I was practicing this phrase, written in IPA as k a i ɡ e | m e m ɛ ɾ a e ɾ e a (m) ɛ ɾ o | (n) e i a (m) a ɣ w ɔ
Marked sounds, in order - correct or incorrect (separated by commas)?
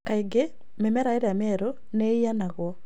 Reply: correct, correct, incorrect